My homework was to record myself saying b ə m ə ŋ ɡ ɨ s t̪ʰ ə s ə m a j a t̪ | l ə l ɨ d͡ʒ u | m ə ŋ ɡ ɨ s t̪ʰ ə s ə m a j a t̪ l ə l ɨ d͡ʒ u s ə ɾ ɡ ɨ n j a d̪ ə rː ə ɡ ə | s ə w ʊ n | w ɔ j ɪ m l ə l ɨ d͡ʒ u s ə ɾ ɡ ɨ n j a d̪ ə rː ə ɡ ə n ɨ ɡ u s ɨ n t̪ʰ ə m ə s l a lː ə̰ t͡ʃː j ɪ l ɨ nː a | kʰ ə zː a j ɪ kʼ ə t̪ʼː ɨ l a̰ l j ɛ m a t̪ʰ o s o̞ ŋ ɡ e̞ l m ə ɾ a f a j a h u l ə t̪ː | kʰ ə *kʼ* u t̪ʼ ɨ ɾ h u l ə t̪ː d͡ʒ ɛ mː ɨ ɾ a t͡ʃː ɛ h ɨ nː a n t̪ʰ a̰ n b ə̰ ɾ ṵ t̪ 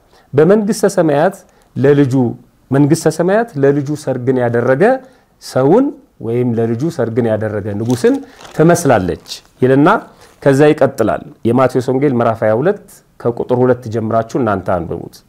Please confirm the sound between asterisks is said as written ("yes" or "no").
yes